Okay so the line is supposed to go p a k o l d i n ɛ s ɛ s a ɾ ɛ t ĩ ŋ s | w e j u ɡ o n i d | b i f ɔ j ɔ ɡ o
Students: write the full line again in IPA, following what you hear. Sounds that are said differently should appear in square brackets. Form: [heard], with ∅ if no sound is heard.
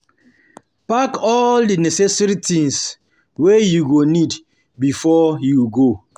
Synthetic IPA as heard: p a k [ɔ] l d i n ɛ s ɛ s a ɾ [i] t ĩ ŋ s | w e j u ɡ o n i d | b i f ɔ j [u] ɡ o